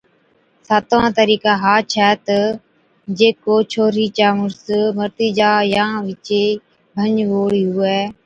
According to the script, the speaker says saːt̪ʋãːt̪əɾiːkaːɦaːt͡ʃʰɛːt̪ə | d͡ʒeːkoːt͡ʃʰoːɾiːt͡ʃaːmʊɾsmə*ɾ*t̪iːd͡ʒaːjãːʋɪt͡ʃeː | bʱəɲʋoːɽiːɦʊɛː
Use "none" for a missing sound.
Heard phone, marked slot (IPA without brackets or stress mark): ɾ